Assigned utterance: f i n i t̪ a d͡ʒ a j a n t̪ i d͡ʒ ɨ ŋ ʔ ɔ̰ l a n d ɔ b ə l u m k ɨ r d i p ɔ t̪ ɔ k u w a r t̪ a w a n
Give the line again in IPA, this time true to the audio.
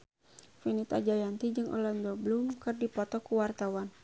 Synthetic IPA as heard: f i n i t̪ a d͡ʒ a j a n t̪ i d͡ʒ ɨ ŋ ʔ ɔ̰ l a n d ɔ b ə l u m k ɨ r d i p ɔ t̪ ɔ k u w a r t̪ a w a n